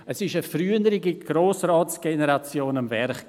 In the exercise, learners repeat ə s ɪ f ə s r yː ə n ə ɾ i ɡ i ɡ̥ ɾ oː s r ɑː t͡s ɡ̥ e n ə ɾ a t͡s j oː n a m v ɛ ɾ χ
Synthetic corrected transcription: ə s ɪ ʃ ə f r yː ə n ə ɾ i ɡ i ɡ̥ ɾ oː s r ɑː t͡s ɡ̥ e n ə ɾ a t͡s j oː n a m v ɛ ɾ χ

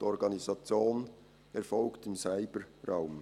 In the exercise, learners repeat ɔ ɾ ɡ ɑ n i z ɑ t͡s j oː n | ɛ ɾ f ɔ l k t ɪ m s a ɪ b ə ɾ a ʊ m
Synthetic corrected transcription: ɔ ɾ ɡ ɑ n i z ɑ t͡s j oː n | ɛ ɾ f ɔ l k t ɪ m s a ɪ b ə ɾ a ʊ m

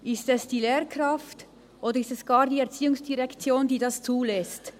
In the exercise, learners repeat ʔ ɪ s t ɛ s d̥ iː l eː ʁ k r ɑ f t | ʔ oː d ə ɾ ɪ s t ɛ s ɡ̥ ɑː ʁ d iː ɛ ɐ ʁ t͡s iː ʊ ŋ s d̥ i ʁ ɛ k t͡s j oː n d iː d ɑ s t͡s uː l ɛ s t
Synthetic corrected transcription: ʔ ɪ s t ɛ s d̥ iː l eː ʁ k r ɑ f t | ʔ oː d ə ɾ ɪ s t ɛ s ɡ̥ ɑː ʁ d iː ɛ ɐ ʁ t͡s iː ʊ ŋ s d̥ i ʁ ɛ k t͡s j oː n d iː d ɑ s t͡s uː l ɛ s t

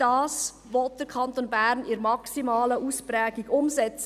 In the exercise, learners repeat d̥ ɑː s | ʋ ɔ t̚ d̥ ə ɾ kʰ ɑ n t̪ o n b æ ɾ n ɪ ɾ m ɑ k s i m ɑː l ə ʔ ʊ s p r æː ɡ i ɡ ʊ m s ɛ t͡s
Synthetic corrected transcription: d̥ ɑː s | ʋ ɔ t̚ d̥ ə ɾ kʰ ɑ n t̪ o n b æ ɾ n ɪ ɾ m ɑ k s i m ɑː l ə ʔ u s p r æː ɡ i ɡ ʊ m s ɛ t͡s

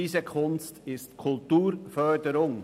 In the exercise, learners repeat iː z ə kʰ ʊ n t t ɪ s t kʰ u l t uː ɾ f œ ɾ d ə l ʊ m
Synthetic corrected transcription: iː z ə kʰ ʊ n s t ɪ s t kʰ ʊ l t uː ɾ f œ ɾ d ə ɾ ʊ ŋ

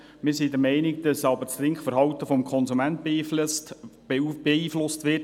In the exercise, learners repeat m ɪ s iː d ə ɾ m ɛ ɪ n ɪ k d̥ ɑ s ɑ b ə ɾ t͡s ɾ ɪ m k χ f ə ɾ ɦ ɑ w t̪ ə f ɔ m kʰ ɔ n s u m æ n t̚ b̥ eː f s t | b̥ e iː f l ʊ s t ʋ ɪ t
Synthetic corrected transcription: m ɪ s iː d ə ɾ m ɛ ɪ n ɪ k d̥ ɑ s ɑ b ə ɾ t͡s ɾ ɪ ŋ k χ f ə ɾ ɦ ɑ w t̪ ə f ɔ m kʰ ɔ n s u m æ n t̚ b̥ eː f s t | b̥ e iː f l ʊ s t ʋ ɪ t

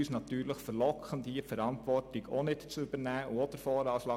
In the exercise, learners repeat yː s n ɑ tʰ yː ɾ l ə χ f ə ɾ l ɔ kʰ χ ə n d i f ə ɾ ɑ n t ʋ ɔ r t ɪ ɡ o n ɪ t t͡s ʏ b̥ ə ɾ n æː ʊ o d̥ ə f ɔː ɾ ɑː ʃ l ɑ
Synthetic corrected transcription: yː s n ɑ t yː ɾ l ə χ f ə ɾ l ɔ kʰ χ ə n d i f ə ɾ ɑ n t ʋ ɔ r t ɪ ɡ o n ɪ t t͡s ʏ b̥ ə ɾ n æː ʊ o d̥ ə f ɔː ɾ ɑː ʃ l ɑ

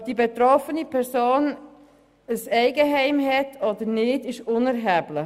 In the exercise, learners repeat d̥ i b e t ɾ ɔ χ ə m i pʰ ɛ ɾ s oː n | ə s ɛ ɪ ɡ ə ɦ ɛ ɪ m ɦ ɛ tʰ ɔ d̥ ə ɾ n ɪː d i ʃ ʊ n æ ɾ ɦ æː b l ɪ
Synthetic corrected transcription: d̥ i b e t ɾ ɔ f ə n i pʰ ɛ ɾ s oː n | ə s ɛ ɪ ɡ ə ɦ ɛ ɪ m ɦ ɛ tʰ ɔ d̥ ə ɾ n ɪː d ɪ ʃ ʊ n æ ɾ ɦ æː b l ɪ

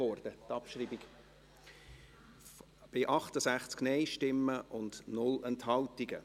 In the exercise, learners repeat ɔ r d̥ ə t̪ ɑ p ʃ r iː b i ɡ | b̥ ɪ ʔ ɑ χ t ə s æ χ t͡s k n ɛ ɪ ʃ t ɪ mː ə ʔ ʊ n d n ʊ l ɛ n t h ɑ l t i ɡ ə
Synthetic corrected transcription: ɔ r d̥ ə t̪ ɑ p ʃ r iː b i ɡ | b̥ ɪ ʔ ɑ χ t ə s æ χ t͡s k n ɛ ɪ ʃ t ɪ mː ə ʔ ʊ n d n ʊ l ɛ n t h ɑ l t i ɡ ə

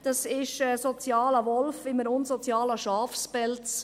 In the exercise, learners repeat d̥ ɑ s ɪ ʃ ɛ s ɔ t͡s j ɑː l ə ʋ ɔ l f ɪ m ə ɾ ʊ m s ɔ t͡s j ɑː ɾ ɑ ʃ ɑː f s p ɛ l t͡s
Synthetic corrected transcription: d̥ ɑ s ɪ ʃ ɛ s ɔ t͡s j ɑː l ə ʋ ɔ l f ɪ m ə ɾ ʊ n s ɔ t͡s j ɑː l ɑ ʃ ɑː f s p ɛ l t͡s

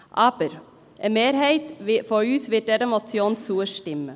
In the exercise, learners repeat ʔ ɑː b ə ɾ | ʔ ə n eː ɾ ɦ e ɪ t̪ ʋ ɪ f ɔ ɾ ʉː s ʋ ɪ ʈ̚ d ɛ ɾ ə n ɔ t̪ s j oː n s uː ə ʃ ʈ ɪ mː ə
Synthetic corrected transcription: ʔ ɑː b ə ɾ | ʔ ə m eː ɾ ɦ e ɪ t̪ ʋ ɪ f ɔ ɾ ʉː s ʋ ɪ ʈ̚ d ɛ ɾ ə m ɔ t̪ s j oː n s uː ə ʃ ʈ ɪ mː ə

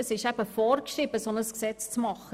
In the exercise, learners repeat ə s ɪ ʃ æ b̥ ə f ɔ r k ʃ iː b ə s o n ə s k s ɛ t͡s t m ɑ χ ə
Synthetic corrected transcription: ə s ɪ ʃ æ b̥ ə f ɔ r k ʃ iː b ə s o n ə s k s ɛ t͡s t͡s m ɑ χ ə

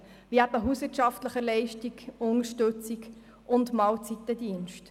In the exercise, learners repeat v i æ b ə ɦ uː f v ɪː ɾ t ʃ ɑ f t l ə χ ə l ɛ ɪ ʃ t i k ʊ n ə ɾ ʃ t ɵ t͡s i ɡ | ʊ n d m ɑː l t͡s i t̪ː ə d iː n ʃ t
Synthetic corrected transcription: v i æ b ə ɦ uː s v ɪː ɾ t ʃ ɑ f t l ə χ ə l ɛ ɪ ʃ t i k ʊ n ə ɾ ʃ t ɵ t͡s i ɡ | ʊ n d m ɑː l t͡s i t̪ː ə d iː n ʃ t

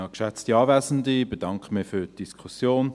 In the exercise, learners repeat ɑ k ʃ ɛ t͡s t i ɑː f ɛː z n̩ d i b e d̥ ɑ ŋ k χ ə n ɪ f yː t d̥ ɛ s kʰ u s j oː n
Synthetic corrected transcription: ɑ k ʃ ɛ t͡s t i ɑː v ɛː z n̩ d i b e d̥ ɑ ŋ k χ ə m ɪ f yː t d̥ i s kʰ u s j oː n

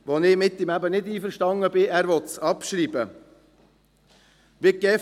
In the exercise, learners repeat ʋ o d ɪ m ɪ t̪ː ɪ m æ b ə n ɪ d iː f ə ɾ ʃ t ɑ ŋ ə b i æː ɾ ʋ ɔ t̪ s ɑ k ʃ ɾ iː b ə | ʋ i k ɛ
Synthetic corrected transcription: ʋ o n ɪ m ɪ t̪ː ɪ m æ b ə n ɪ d iː f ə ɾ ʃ t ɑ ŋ ə b ɪ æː ɾ ʋ ɔ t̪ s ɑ p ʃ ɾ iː b ə | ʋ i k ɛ

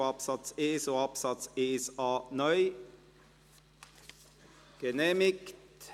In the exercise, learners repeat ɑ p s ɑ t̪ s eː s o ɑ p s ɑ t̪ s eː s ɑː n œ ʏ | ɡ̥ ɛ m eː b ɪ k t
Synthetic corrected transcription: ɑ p s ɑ t̪ s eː s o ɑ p s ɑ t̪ s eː s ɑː n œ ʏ | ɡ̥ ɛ n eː m ɪ k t

